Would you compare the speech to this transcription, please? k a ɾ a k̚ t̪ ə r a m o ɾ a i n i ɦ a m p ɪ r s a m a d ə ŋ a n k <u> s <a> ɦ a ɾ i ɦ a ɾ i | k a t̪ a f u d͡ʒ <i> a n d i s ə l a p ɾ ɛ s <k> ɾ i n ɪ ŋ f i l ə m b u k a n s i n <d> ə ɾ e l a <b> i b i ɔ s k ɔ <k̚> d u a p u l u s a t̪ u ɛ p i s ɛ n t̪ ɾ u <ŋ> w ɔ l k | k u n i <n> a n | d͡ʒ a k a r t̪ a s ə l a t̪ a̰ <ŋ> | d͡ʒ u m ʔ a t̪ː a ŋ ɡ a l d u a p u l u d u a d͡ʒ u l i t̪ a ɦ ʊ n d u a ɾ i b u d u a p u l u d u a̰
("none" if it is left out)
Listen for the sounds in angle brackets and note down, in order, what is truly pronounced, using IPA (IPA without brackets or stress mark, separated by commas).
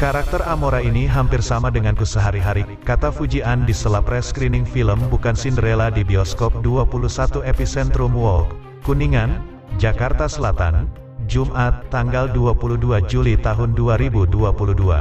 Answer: u, ə, i, k, d, d, p̚, m, ŋ, n